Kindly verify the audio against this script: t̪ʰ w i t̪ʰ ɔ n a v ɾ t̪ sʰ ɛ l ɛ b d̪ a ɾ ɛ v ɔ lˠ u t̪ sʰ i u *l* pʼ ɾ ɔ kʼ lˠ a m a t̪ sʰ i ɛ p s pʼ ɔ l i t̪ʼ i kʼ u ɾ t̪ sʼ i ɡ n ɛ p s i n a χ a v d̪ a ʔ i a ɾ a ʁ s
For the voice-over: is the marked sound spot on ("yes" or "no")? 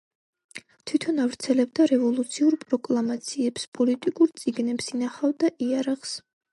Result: no